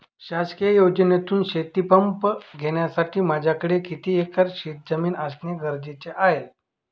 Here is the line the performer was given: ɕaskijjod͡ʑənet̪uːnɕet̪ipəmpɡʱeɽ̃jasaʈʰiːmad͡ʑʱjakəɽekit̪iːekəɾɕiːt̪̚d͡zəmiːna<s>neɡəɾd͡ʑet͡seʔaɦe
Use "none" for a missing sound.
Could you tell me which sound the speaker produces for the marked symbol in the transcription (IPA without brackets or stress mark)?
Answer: s